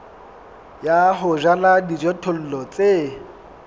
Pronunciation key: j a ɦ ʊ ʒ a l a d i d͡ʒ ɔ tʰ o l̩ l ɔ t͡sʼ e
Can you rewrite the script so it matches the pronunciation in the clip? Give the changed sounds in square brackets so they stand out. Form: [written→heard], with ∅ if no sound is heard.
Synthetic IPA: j a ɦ ʊ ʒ a l a d i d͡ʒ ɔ tʰ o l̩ l ɔ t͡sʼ e